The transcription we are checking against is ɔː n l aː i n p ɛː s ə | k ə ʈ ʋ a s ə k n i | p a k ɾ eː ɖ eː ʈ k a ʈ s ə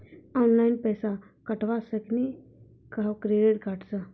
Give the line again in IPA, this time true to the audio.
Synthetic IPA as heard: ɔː n l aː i n p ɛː s a | k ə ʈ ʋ a s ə k n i | k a k ɾ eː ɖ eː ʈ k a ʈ s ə

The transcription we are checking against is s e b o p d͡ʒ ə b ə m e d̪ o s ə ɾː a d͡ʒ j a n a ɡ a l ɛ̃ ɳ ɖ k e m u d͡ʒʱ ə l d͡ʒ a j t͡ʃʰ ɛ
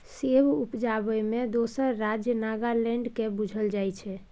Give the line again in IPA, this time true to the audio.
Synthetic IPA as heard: s e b u p d͡ʒ a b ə m e d̪ o s ə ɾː a d͡ʒ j ə n a ɡ a l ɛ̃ ɳ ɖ k e b u d͡ʒʱ ə l d͡ʒ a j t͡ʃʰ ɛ

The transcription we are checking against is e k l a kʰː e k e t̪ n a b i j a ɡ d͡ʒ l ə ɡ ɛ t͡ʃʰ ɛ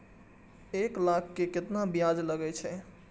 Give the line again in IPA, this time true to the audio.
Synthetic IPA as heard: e k l a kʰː e k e t̪ n a b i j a d͡ʒ l ə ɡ ɛ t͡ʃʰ ɛ

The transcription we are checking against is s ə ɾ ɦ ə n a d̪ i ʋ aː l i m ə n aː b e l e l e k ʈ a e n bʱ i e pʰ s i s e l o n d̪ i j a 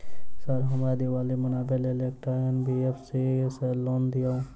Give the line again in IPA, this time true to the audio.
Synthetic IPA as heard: s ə ɾ ɦ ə m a d̪ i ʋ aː l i m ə n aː b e l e l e k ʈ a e n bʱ i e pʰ s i s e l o n d̪ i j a

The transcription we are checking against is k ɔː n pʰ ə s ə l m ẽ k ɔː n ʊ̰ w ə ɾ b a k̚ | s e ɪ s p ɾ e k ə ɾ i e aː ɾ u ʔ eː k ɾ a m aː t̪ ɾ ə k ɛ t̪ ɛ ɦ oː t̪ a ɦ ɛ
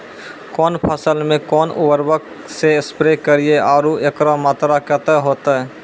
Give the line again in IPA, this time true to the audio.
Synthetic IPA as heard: k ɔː n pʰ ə s ə l m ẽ k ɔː n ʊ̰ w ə ɾ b ə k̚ | s e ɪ s p ɾ e k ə ɾ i e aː ɾ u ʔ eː k ɾ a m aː t̪ ɾ a k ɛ t̪ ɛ ɦ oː t̪ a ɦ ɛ

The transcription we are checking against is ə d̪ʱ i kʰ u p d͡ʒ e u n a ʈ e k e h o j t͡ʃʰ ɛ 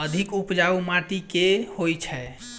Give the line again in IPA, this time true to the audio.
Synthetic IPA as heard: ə d̪ʱ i k u p d͡ʒ a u m a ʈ i k e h o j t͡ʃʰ ɛ

